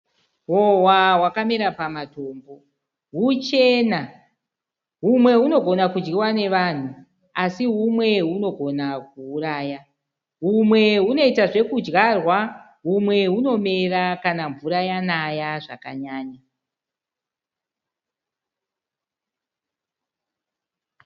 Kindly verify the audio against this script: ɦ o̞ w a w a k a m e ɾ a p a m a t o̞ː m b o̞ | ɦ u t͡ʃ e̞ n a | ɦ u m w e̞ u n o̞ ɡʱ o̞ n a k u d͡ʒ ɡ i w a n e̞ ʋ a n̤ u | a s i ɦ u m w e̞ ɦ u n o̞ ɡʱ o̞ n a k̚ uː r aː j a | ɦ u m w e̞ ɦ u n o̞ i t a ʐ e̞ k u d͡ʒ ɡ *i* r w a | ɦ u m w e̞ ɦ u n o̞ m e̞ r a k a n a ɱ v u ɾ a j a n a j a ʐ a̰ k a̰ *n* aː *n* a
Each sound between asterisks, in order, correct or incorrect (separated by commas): incorrect, incorrect, incorrect